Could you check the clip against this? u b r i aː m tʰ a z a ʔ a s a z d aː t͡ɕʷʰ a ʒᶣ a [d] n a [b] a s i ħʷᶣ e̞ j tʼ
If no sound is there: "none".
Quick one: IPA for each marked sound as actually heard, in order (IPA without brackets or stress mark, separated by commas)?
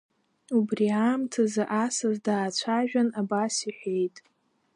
none, b